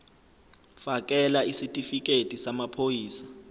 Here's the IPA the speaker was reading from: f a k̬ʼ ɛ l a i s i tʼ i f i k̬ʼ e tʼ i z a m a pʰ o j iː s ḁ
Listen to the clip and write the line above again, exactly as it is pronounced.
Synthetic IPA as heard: f a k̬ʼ ɛ l a i s i tʼ i f i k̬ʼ e tʼ i s a m a pʰ o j iː s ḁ